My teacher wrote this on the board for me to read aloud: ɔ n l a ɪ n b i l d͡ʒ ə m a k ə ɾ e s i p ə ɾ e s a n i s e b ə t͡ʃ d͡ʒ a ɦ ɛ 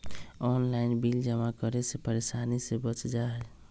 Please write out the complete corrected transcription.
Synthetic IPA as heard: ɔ n l a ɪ n b i l d͡ʒ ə m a k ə ɾ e s e p ə ɾ e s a n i s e b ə t͡ʃ d͡ʒ a ɦ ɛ